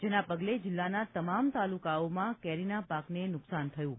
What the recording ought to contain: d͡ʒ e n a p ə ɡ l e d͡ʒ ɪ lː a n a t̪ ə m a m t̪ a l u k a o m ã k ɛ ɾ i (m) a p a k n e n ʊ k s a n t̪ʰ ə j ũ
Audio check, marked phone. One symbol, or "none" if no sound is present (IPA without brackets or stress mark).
n